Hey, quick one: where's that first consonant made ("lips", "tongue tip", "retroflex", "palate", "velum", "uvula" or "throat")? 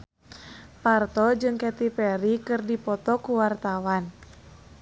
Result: lips